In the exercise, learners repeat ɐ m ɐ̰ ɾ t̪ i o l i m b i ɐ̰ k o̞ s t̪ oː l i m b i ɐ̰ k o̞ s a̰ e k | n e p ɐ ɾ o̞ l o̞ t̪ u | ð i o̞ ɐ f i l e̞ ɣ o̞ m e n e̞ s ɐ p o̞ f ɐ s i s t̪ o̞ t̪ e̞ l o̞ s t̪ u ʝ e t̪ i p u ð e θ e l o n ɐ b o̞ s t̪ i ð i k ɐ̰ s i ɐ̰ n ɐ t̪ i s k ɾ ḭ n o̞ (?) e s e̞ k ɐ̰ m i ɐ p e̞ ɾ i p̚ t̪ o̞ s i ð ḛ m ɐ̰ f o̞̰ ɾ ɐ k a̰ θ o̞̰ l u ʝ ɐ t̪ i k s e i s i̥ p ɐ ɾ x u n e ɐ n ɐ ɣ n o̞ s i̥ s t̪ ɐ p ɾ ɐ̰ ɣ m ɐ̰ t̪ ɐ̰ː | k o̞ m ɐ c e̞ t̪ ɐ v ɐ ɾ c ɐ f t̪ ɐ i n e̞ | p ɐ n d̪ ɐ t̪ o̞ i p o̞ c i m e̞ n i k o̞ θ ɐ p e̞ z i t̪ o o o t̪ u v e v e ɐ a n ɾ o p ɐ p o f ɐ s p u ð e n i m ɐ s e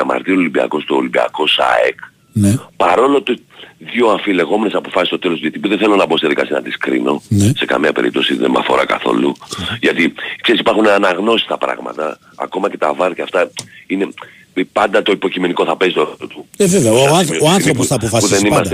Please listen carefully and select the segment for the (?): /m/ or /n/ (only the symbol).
n